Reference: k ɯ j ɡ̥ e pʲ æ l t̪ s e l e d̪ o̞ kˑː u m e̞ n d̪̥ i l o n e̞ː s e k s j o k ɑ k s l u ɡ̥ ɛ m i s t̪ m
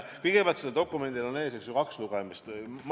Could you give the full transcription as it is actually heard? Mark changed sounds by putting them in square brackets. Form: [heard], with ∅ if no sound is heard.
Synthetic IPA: k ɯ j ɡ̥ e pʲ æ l t̪ s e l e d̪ o̞ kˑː u m e̞ n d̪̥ i l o n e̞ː s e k s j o k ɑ k s l u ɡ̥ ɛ m i s t̪ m

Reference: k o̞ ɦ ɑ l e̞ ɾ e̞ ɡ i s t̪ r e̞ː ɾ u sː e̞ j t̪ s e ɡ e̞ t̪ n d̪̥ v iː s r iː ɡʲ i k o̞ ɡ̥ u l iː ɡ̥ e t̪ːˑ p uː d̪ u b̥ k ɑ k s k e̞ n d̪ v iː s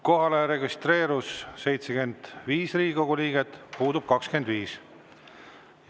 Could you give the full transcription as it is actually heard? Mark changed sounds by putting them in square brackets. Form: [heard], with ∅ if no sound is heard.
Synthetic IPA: k o̞ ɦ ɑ l e̞ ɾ e̞ ɡ i s t̪ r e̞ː ɾ u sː e̞ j t̪ s e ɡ e̞ [∅] n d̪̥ v iː s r iː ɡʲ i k o̞ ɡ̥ u l iː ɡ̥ e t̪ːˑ p uː d̪ u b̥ k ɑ k s k e̞ n d̪ v iː s

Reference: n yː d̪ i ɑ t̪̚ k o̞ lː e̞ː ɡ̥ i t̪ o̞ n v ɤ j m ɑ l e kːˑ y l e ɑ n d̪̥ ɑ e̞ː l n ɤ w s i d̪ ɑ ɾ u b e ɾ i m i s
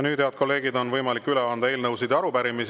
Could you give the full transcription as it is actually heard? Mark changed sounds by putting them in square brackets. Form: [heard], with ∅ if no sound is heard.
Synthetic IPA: n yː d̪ [e] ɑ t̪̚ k o̞ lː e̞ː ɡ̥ i [d̪] o̞ n v ɤ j m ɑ l [i] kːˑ y l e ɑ n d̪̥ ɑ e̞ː l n ɤ w s i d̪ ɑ ɾ u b [æ] ɾ i m i s

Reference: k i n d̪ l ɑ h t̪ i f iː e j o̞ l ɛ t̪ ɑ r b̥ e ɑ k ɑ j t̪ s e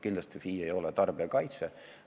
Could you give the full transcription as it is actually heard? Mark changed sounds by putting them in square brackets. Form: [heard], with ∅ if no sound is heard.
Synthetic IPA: k i n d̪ l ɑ [s] t̪ i f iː e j o̞ l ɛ t̪ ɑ r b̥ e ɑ k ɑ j t̪ s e

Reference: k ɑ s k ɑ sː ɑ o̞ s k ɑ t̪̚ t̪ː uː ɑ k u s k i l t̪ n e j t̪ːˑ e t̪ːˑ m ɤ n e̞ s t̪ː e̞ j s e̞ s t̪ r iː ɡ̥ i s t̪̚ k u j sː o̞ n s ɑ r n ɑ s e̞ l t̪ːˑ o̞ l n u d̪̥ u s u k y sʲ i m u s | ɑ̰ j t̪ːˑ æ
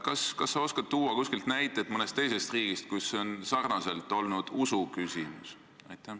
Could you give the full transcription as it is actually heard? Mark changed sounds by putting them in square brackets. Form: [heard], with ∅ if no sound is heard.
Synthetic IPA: k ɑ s k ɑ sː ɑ o̞ s k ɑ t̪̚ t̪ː uː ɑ k u s k i l t̪ n [æ] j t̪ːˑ e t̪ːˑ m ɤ n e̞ s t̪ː e̞ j s e̞ s t̪ r iː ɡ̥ i s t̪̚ k u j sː o̞ n s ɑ r n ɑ s e̞ l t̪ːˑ o̞ l n u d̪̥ u s u k y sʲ i m u s | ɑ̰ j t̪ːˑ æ

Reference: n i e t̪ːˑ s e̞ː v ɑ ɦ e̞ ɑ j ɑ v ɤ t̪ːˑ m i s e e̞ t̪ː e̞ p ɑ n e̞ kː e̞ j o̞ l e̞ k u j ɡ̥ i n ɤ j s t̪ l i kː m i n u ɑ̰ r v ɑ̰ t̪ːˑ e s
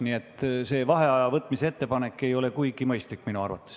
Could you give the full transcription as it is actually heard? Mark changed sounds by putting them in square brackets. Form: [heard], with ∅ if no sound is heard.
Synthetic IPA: n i e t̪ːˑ s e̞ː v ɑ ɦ e̞ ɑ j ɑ v ɤ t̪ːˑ m i s e e̞ t̪ː e̞ p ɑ n e̞ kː e̞ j o̞ l e̞ k u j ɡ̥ i [m] ɤ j s t̪ l i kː m i n u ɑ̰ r v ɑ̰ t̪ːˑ e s

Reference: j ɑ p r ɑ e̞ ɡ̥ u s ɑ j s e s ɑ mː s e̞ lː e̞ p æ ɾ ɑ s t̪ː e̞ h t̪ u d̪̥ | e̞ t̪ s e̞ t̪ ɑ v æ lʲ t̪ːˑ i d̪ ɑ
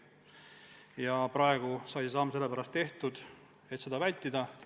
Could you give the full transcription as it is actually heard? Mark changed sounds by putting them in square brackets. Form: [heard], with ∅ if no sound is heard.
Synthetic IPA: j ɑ p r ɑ e̞ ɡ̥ u s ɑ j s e s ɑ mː s e̞ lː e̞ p æ ɾ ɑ s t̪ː e̞ h t̪ u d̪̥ | e̞ t̪ s e̞ [d̪] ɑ v æ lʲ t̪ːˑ i d̪ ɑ

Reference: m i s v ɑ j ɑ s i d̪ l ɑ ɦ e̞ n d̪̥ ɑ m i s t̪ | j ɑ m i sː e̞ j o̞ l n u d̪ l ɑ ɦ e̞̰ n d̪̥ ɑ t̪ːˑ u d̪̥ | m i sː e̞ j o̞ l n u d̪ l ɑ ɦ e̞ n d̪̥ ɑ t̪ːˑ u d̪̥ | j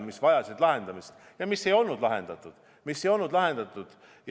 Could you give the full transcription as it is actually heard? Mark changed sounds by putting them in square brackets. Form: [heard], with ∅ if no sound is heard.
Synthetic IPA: m i s v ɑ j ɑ s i d̪ l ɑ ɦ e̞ n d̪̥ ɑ m i s t̪ | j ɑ m i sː e̞ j o̞ l n u d̪ l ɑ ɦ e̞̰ n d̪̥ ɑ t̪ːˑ u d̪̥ | m i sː e̞ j o̞ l n u d̪ l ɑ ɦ e̞ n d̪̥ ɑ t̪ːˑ u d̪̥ | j

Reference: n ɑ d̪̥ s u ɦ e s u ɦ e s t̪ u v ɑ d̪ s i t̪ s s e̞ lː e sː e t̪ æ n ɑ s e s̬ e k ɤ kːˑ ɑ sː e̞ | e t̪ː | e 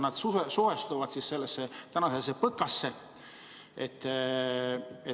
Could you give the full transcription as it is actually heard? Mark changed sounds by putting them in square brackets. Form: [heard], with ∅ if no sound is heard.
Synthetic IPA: n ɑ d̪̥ s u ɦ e s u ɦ e s t̪ u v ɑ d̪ s i [∅] s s e̞ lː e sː e t̪ æ n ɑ s e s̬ e [p] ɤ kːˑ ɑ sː e̞ | e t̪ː | e

